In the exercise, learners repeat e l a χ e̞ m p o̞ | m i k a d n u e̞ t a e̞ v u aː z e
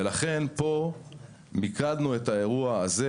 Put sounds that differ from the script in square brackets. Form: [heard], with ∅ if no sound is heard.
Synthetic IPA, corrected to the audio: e l a χ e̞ [n] p o̞ | m i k a d n u e̞ t a e̞ [ʁ] u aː z e